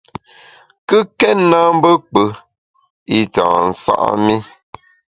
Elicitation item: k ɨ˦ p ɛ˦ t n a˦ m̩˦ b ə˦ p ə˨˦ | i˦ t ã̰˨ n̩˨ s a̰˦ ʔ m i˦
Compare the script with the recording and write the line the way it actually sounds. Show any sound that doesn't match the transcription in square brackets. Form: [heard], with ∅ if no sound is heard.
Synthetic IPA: k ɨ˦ [k] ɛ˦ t n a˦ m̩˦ b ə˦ [k͡p] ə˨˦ | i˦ t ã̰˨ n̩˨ s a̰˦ ʔ m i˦